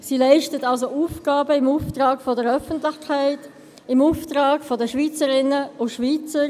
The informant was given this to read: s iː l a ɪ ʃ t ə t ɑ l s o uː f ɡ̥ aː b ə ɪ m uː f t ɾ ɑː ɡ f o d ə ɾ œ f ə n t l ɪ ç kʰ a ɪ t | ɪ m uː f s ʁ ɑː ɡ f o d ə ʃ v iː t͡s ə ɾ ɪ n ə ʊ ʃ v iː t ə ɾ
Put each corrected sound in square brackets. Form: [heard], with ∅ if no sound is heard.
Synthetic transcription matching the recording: s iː l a ɪ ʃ t ə t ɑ l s o uː f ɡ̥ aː b ə ɪ m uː f t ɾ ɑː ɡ f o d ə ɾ œ f ə n t l ɪ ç kʰ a ɪ t | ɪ m uː f [t] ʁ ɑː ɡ f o d ə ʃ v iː t͡s ə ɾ ɪ n ə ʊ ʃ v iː [t͡s] ə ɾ